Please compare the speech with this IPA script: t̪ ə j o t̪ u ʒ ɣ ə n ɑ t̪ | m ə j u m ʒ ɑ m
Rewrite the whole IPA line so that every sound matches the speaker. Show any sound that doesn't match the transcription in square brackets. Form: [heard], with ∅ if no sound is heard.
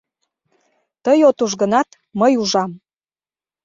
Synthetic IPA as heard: t̪ ə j o t̪ u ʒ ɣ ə n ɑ t̪ | m ə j u [∅] ʒ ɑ m